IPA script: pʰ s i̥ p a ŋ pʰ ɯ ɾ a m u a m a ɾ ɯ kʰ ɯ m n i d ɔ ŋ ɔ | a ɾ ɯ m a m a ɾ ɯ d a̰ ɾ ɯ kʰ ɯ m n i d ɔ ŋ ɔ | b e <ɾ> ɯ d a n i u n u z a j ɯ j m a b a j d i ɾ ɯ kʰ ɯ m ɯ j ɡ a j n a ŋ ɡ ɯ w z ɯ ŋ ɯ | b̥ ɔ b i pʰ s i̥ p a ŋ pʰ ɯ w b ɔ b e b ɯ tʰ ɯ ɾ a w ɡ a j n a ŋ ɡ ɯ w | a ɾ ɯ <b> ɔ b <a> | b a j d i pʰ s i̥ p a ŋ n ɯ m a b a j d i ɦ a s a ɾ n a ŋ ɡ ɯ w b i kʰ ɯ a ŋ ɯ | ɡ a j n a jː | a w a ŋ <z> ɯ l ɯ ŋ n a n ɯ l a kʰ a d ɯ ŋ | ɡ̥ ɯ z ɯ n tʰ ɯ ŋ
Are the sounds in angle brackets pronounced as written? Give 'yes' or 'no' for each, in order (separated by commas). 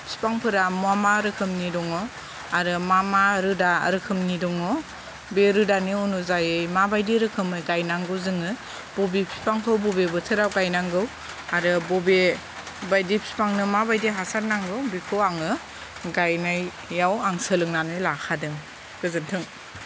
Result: yes, yes, no, no